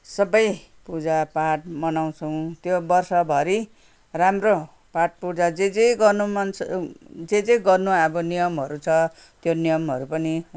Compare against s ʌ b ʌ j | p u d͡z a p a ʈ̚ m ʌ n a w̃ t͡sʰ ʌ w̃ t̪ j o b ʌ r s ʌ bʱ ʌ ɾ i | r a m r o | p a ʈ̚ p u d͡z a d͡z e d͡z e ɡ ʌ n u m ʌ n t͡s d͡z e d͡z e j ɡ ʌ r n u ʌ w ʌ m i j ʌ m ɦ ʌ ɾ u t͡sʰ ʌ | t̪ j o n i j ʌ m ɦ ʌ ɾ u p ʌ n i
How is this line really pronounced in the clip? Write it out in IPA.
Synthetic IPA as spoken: s ʌ b ʌ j | p u d͡z a p a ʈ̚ m ʌ n a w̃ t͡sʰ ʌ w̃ t̪ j o b ʌ r s ʌ bʱ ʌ ɾ i | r a m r o | p a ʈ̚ p u d͡z a d͡z e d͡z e ɡ ʌ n u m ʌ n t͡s d͡z e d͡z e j ɡ ʌ r n u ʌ b ʌ n i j ʌ m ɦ ʌ ɾ u t͡sʰ ʌ | t̪ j o n i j ʌ m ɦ ʌ ɾ u p ʌ n i